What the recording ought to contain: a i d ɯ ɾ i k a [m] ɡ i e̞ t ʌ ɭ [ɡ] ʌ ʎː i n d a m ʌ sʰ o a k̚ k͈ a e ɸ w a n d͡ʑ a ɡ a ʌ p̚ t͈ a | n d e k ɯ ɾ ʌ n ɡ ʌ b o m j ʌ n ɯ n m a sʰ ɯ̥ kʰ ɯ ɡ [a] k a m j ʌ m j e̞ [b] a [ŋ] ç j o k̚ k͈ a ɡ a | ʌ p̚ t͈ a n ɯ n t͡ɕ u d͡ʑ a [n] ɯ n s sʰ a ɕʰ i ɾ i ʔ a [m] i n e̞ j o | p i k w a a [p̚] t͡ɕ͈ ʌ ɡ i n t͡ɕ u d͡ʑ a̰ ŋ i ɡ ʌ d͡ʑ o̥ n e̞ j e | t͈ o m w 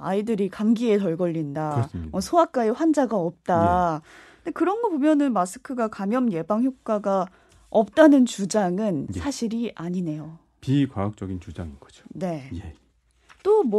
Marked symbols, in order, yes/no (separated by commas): no, yes, yes, yes, yes, no, no, no